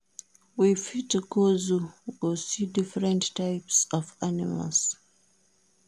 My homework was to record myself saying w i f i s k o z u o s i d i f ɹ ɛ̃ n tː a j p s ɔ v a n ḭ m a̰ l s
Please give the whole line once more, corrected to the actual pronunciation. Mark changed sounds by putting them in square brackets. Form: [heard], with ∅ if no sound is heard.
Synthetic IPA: w i f i [t] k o z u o s i d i f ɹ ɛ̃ n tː a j p s ɔ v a n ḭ m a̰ l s

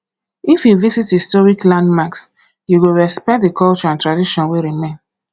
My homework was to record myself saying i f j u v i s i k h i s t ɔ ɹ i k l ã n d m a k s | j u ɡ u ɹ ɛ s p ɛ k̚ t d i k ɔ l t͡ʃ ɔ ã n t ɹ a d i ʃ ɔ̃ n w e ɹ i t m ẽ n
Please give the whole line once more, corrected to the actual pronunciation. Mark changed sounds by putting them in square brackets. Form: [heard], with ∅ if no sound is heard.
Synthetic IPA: i f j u v i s i [t] h i s t ɔ ɹ i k l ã n d m a k s | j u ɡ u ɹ ɛ s p ɛ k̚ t d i k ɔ l t͡ʃ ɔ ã n t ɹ a d i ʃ ɔ̃ n w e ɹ i [∅] m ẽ n

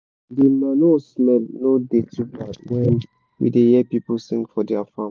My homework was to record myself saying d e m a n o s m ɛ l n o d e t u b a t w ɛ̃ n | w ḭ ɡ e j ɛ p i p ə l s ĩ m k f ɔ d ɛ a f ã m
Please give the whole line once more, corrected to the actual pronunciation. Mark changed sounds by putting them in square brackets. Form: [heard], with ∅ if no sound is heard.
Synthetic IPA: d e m a n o s m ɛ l n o d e t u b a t w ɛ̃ n | w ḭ [d] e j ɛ p i p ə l s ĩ [ŋ] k f ɔ d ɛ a f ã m

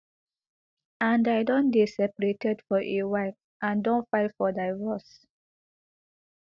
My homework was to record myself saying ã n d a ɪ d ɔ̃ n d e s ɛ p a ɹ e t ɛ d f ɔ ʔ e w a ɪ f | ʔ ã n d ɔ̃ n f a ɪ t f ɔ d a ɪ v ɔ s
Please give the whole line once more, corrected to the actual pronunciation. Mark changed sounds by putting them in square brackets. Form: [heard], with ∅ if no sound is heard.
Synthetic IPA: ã n d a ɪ d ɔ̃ n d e s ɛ p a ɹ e t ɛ d f ɔ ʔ e w a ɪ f | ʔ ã n d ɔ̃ n f a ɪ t f ɔ d a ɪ v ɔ s

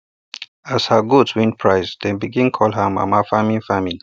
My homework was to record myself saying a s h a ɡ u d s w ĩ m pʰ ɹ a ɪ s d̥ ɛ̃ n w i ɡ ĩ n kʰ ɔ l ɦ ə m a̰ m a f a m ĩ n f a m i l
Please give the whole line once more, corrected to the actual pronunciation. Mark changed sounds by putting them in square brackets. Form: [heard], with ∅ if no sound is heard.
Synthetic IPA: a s h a ɡ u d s w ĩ [n] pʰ ɹ a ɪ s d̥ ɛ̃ n [b] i ɡ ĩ n kʰ ɔ l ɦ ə m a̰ m a f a m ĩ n f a m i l

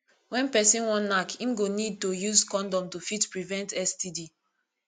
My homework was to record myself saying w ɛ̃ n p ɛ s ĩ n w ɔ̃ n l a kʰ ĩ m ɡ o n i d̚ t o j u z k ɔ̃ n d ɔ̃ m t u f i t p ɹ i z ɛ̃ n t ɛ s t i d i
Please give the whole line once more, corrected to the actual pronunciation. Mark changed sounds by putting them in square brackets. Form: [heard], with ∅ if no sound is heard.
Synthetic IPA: w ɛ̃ n p ɛ s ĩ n w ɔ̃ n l a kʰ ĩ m ɡ o n i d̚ t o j u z k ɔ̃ n d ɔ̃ m t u f i t p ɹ i [v] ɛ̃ n t ɛ s t i d i

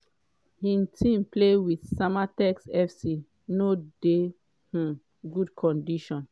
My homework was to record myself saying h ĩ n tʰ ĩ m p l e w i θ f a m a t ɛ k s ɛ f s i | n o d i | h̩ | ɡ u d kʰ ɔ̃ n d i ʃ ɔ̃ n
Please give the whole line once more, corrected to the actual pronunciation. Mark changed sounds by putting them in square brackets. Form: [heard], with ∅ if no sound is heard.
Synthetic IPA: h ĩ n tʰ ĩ m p l e w i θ [s] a m a t ɛ k s ɛ f s i | n o d [e] | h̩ | ɡ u d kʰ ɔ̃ n d i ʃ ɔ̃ n

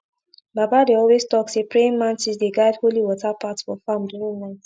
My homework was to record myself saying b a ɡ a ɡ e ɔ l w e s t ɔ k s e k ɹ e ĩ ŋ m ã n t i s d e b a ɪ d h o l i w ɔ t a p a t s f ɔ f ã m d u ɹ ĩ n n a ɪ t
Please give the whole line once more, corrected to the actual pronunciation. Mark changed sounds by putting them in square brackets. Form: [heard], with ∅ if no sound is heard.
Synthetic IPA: b a [b] a [d] e ɔ l w e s t ɔ k s e [p] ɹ e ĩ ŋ m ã n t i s d e [ɡ] a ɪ d h o l i w ɔ t a p a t s f ɔ f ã m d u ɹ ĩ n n a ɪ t

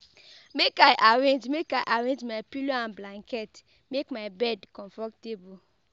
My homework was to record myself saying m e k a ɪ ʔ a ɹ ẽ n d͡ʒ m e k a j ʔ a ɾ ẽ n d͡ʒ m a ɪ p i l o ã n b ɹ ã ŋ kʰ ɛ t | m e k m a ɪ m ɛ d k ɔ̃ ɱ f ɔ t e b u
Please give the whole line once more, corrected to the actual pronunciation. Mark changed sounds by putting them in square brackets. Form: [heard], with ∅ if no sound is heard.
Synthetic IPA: m e k a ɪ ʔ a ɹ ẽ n d͡ʒ m e k a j ʔ a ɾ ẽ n d͡ʒ m a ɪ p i l o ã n b [l] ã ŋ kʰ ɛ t | m e k m a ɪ [b] ɛ d k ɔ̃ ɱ f ɔ t e b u

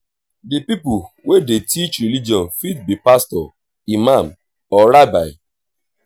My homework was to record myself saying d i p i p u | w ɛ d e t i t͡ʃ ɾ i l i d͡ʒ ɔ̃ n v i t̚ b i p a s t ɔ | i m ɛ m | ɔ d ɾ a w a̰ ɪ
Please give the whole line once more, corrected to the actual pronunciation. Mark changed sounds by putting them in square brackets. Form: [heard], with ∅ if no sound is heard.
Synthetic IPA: d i p i p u | w [e] d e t i t͡ʃ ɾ i l i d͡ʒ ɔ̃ n [f] i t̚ b i p a s t ɔ | i m [a] m | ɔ [∅] ɾ a [b] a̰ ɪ

